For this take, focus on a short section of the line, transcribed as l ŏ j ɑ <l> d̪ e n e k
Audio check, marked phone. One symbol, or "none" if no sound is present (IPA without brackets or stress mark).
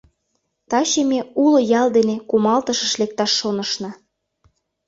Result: l